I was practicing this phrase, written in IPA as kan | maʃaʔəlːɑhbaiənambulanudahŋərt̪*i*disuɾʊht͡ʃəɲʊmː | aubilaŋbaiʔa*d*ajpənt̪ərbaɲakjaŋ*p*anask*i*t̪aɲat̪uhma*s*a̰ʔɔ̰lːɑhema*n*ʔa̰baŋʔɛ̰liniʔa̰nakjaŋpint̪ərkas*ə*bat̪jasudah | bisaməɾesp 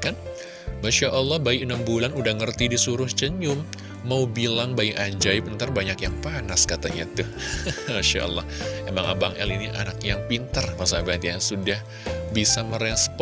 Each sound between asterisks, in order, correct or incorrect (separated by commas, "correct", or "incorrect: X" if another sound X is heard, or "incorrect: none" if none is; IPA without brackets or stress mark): correct, incorrect: d͡ʒ, correct, incorrect: a, incorrect: ʃ, incorrect: ŋ, incorrect: a